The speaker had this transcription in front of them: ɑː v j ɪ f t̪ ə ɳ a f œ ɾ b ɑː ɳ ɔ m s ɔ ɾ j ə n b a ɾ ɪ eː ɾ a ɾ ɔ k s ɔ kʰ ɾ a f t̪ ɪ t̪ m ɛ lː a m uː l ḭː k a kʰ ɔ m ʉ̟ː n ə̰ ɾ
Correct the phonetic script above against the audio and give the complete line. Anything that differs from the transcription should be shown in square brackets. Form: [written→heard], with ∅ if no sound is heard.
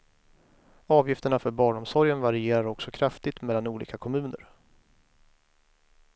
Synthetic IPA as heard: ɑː v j ɪ f t̪ ə ɳ a f œ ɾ b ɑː ɳ ɔ m s ɔ ɾ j ə n [b→v] a ɾ ɪ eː ɾ a ɾ ɔ k s ɔ kʰ ɾ a f t̪ ɪ t̪ m ɛ lː a [m→n] uː l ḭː k a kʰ ɔ m ʉ̟ː n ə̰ ɾ